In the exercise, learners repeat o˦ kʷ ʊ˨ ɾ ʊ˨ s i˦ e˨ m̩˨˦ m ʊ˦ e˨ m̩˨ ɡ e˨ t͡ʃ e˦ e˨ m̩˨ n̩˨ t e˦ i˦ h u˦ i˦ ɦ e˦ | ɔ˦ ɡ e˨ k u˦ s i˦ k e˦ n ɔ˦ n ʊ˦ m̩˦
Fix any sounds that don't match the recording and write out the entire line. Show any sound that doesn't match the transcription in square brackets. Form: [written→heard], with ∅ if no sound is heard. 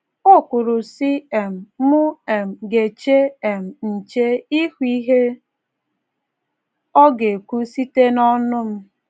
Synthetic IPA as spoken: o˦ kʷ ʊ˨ ɾ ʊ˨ s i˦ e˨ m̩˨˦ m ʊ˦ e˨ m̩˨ ɡ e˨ t͡ʃ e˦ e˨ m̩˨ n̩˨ [t→t͡ʃ] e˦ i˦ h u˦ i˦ ɦ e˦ | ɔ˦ ɡ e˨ k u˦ s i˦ [k→t] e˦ n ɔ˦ n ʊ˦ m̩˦

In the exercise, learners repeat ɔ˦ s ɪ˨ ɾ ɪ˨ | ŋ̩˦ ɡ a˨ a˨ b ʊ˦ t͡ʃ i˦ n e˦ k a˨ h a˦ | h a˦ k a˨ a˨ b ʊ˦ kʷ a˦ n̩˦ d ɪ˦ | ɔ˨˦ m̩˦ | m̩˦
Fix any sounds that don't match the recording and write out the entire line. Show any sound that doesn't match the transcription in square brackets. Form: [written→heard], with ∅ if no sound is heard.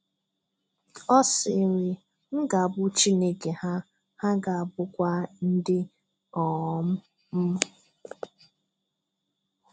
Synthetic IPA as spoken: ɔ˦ s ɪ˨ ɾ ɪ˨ | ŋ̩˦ ɡ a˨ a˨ b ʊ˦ t͡ʃ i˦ n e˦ k [a˨→e˨] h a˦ | h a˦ [k→ɡ] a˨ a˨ b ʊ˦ kʷ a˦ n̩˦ d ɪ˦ | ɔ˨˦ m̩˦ | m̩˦

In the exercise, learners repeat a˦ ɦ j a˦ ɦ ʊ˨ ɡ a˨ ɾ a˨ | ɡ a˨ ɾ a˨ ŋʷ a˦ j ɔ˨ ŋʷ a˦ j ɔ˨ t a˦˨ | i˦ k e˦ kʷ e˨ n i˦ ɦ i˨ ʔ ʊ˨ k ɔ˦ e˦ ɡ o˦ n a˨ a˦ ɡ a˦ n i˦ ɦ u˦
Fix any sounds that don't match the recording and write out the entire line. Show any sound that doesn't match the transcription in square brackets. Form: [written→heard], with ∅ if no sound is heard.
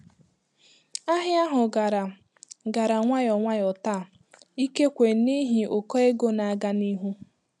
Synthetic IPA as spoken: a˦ ɦ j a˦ ɦ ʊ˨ ɡ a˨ ɾ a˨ | ɡ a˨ ɾ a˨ ŋʷ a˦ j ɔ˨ ŋʷ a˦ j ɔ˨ t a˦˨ | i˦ k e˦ kʷ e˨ n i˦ ɦ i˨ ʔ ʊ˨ k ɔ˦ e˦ ɡ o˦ n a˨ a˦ ɡ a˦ n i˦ ɦ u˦

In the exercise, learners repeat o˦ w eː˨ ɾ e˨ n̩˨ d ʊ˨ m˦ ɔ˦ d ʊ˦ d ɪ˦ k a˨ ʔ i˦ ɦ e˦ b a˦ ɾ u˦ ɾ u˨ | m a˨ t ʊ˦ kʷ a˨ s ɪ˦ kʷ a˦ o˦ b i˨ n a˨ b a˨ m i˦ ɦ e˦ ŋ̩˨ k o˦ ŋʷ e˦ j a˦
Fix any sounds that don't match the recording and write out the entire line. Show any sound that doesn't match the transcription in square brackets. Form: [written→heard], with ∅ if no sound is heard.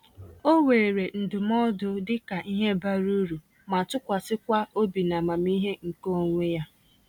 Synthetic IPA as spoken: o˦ w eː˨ ɾ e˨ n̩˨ d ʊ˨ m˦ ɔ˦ d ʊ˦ d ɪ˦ k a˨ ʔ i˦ ɦ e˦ b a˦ ɾ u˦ ɾ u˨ | m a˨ t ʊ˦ kʷ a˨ s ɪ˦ kʷ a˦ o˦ b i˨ n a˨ [b→m] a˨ m i˦ ɦ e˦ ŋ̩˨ k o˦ ŋʷ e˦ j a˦

